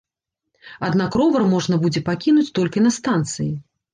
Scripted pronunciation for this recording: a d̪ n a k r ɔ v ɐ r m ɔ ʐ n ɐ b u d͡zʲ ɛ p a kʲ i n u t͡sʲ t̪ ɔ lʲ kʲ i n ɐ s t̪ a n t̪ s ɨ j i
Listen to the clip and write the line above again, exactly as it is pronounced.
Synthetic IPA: a d̪ n a k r ɔ v ɐ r m ɔ ʐ n ɐ b u d͡zʲ ɛ p a kʲ i n u t͡sʲ t̪ ɔ lʲ kʲ i n ɐ s t̪ a n t̪ s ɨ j i